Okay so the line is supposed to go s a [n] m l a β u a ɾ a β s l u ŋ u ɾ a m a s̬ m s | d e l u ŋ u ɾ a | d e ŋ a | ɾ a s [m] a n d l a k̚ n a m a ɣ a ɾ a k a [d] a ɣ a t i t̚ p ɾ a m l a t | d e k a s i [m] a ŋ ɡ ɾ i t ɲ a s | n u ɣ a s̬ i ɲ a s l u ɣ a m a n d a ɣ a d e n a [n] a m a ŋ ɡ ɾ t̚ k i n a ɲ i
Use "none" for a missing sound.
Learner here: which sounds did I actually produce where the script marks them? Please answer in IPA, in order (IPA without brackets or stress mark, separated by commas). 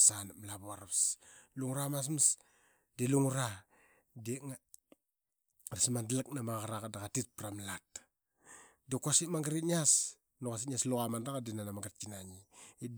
n, m, d, m, n